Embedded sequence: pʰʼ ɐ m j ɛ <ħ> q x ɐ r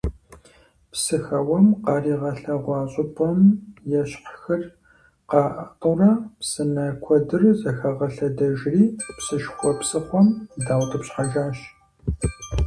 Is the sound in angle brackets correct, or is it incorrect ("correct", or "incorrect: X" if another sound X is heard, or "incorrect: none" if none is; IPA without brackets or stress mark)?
incorrect: ɕ